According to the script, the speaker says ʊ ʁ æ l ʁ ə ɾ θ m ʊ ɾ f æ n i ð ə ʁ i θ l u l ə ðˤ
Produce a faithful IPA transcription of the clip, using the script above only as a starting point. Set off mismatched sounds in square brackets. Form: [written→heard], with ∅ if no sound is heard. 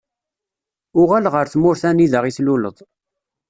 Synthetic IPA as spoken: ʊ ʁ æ l ʁ ə ɾ θ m ʊ ɾ [f→θ] æ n i ð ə ʁ i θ l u l ə ðˤ